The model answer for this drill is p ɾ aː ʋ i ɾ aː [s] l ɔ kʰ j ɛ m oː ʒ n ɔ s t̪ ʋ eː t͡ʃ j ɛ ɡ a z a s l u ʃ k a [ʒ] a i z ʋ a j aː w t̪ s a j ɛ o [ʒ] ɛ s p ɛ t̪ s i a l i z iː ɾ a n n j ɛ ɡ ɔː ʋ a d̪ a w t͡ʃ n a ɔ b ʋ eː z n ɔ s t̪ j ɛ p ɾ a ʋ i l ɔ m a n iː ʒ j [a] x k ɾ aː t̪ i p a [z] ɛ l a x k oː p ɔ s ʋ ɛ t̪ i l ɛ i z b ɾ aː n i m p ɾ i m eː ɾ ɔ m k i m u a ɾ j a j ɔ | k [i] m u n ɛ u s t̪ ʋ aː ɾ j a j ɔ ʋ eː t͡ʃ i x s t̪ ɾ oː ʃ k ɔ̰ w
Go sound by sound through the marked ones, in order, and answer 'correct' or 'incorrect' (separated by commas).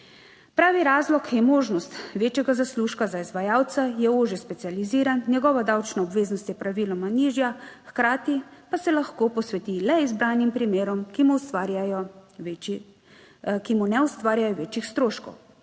incorrect, incorrect, correct, correct, incorrect, correct